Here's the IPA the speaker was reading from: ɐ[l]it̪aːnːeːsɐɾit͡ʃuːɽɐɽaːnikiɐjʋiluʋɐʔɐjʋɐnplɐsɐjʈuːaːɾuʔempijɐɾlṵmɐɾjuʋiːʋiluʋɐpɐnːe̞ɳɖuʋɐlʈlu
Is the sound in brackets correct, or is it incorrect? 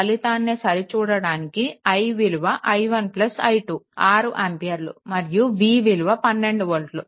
correct